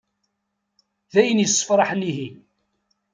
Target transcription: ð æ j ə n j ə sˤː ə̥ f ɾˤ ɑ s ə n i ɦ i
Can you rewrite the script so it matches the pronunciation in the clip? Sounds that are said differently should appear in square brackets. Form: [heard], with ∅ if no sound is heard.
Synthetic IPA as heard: ð æ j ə n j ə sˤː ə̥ f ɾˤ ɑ [ħ] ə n i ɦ i